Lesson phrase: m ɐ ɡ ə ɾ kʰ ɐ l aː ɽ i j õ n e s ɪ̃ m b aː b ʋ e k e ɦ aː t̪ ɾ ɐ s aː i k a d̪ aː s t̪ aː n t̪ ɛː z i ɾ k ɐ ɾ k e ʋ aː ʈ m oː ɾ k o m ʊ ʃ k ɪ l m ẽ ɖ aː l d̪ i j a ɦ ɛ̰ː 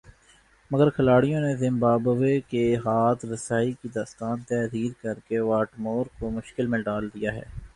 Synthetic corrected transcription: m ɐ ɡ ə ɾ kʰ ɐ l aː ɽ i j õ n e z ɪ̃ m b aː b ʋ e k e ɦ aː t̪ ɾ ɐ s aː i k i d̪ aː s t̪ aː n t̪ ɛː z iː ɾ k ɐ ɾ k e ʋ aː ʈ m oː ɾ k o m ʊ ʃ k ɪ l m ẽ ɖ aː l d̪ i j a ɦ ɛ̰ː